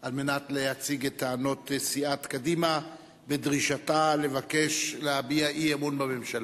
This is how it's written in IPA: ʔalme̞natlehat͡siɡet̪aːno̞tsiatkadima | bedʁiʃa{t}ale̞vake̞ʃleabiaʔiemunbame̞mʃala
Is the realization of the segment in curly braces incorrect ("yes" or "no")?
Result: no